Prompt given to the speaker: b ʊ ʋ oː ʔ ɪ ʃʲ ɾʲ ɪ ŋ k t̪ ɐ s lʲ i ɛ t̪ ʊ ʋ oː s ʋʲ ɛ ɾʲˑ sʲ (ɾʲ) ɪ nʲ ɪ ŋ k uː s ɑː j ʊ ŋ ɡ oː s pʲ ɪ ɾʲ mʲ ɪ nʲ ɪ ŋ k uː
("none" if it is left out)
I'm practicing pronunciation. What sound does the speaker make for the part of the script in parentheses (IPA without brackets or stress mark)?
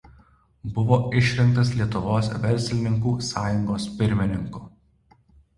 lʲ